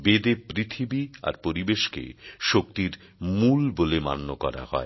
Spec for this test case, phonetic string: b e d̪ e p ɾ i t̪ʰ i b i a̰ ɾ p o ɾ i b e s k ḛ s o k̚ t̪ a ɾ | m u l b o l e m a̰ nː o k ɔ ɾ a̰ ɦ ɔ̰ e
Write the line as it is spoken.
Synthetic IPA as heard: b e d̪ e p ɾ i t̪ʰ i b i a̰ ɾ p o ɾ i b e ʃ k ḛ ʃ o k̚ t̪ i ɾ | m u l b o l e m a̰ nː o k ɔ ɾ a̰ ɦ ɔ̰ e